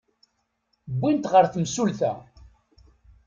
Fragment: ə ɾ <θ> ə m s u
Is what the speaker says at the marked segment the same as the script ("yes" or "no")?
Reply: yes